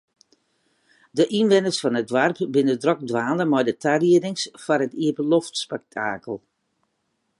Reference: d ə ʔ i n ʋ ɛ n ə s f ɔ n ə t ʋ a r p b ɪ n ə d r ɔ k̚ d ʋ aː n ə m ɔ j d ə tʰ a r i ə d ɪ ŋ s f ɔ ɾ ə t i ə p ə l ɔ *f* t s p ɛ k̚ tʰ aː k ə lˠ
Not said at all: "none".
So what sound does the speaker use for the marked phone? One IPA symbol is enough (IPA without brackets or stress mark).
f